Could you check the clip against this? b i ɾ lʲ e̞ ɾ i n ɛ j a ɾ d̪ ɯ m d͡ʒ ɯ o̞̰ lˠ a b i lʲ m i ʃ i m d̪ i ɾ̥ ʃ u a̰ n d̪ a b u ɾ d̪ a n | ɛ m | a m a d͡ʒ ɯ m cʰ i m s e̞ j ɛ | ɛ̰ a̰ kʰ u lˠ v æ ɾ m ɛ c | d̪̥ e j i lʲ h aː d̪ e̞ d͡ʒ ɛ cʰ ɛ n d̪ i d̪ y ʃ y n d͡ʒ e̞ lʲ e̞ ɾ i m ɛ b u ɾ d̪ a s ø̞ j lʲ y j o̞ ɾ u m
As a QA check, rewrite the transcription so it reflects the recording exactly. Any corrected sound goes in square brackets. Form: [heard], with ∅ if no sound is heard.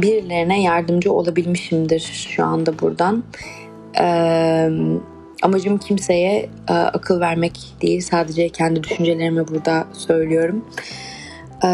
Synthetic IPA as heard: b i ɾ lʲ e̞ ɾ i n ɛ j a ɾ d̪ ɯ m d͡ʒ ɯ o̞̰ lˠ a b i lʲ m i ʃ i m d̪ i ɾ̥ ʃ u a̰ n d̪ a b u ɾ d̪ a n | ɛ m | a m a d͡ʒ ɯ m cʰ i m s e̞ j ɛ | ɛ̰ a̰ kʰ [ɯ] lˠ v æ ɾ m ɛ c | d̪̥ e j i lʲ [s] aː d̪ e̞ d͡ʒ ɛ cʰ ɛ n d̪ i d̪ y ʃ y n d͡ʒ e̞ lʲ e̞ ɾ i m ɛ b u ɾ d̪ a s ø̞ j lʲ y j o̞ ɾ u m